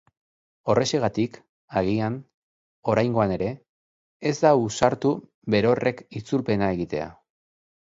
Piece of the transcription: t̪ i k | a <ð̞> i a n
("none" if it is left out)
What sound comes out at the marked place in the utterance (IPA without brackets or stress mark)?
ɣ̞